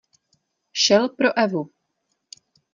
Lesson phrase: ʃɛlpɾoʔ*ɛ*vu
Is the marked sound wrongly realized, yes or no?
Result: no